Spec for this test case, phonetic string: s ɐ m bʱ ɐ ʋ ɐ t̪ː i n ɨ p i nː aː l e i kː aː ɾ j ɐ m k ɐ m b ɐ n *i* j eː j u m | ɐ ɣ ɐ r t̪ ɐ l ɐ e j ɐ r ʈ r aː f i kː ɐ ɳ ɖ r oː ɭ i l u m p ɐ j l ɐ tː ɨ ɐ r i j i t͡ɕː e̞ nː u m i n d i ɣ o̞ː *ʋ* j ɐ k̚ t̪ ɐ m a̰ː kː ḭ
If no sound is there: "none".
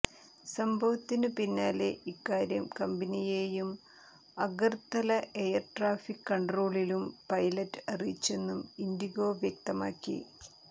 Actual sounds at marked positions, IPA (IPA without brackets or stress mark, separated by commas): i, ʋ